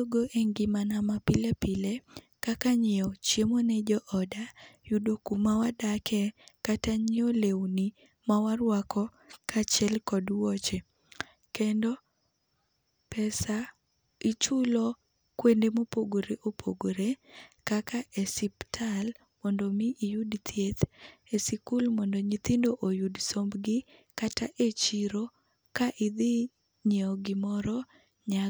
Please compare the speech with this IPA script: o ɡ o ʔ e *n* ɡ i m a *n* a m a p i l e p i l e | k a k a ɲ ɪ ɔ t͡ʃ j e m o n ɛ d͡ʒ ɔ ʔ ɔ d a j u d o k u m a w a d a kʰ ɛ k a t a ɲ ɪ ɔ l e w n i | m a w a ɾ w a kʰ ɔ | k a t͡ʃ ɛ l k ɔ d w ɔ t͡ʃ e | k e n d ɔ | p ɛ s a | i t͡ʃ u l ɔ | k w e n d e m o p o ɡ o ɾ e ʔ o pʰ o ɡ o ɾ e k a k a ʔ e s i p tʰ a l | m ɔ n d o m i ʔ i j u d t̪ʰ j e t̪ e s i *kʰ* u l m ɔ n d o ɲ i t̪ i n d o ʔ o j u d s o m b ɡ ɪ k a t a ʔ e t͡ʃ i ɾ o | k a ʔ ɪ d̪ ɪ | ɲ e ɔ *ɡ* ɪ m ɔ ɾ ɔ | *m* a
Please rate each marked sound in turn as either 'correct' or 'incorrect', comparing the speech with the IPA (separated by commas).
incorrect, correct, incorrect, correct, incorrect